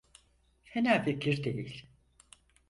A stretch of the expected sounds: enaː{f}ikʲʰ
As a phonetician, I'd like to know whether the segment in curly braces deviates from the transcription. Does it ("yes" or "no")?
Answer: no